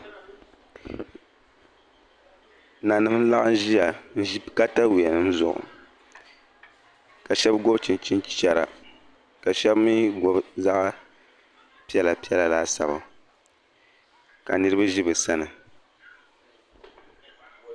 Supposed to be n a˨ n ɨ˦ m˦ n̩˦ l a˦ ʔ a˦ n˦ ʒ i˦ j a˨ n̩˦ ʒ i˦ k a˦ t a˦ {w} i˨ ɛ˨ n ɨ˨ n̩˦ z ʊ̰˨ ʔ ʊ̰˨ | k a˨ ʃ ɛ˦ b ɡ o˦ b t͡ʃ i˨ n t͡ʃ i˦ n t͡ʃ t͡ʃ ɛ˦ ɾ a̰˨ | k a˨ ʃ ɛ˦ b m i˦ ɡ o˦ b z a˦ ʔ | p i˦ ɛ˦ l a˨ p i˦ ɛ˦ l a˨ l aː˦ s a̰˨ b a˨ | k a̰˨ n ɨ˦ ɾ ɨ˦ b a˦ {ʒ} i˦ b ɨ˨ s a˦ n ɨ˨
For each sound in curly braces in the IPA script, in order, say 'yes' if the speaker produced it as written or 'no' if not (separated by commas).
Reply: yes, yes